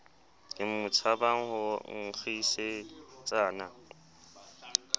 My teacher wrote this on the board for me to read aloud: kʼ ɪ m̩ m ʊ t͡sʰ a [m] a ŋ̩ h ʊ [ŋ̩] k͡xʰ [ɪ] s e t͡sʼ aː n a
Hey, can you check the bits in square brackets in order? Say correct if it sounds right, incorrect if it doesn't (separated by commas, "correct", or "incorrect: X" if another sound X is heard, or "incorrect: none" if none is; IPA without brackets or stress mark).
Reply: incorrect: b, correct, incorrect: i